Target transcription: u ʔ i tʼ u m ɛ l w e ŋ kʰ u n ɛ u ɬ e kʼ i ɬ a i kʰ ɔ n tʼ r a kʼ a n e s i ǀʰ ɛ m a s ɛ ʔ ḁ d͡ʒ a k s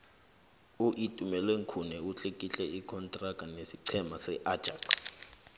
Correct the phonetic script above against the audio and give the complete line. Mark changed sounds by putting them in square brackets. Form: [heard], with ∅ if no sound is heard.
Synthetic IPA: u ʔ i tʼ u m ɛ l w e ŋ kʰ u n ɛ u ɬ e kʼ i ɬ [ɛ] i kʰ ɔ n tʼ r a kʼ a n e s i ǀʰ ɛ m a s ɛ ʔ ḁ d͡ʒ a k s